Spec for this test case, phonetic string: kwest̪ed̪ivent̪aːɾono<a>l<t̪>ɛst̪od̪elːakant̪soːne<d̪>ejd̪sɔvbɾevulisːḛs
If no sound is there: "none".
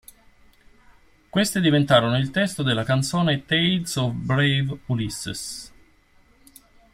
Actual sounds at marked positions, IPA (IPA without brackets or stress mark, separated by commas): i, t̪, t̪